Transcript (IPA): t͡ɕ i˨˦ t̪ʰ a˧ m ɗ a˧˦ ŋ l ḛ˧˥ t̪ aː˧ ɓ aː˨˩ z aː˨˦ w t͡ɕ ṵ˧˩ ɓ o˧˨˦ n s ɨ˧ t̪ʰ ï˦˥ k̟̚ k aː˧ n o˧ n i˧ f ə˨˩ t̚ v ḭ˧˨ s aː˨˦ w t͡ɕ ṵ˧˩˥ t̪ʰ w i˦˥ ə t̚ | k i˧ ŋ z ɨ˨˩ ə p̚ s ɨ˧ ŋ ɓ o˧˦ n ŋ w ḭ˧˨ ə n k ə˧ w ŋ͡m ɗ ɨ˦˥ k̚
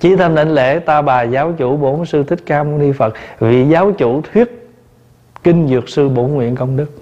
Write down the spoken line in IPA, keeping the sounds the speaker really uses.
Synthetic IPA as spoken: t͡ɕ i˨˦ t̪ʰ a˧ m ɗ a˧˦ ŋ l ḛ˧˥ t̪ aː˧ ɓ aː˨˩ z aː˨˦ w t͡ɕ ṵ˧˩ ɓ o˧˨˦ n s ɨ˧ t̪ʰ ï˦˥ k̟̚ k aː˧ m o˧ n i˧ f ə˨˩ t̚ v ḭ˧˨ z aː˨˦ w t͡ɕ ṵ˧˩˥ t̪ʰ w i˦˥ ə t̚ | k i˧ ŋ z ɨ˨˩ ə k̚ s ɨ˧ ɓ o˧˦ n ŋ w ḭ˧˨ ə n k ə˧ w ŋ͡m ɗ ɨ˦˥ k̚